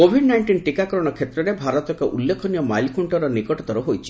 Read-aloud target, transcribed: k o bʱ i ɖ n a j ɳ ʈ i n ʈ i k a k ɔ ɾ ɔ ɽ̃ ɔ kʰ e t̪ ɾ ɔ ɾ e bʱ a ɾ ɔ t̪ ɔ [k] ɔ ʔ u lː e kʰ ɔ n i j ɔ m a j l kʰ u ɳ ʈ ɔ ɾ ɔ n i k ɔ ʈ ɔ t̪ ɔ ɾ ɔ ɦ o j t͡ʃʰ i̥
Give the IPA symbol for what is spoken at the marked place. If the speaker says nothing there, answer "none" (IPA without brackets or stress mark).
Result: k